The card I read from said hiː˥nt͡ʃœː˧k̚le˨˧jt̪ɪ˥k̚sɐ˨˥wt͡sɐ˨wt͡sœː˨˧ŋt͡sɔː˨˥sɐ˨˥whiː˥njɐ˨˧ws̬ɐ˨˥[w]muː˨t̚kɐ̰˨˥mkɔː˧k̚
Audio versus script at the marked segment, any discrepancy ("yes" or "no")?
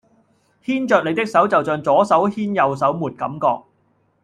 no